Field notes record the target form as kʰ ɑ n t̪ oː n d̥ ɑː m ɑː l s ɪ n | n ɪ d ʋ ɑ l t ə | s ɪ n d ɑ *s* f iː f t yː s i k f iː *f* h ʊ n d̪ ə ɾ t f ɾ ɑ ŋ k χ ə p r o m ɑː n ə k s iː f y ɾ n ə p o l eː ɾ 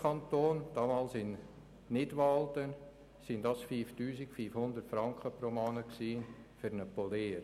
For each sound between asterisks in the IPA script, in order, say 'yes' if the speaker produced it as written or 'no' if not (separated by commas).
yes, yes